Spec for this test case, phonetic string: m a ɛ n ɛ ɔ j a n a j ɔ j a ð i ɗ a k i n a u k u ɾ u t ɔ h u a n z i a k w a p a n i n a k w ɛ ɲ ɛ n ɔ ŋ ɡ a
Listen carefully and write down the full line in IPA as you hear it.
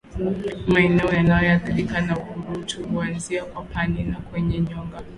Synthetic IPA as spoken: m a ɛ n ɛ ɔ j a n a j ɔ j a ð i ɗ i k a n a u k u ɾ u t u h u a n z i a k w a p a n i n a k w ɛ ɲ ɛ ɲ ɔ ŋ ɡ a

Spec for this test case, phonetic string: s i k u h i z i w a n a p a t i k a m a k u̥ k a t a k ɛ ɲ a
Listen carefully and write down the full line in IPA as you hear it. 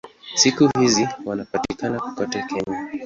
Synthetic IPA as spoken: s i k u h i z i w a n a p a t i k a n a k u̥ k a t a k ɛ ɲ a

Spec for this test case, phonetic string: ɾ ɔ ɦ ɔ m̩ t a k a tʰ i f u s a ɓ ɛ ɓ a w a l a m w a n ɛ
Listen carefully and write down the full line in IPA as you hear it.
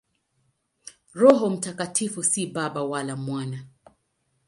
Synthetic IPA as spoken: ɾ ɔ ɦ ɔ m̩ t a k a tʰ i f u s i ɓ a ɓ a w a l a m w a n a

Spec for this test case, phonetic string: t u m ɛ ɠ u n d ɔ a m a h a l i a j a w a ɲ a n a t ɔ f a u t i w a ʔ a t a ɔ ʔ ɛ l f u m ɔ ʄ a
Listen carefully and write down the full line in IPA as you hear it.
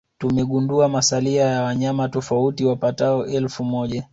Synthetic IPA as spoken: t u m ɛ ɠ u n d u a m a s a l i a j a w a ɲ a m a t ɔ f a u t i w a p a t a ɔ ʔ ɛ l f u m ɔ ʄ a

